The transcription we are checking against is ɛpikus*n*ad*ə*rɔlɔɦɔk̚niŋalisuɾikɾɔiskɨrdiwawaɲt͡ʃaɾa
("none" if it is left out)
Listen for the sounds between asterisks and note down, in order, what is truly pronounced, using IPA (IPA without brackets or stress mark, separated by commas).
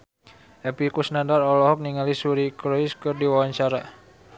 n, a